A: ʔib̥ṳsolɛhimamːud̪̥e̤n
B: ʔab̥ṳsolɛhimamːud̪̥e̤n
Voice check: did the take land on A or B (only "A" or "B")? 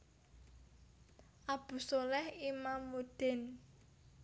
B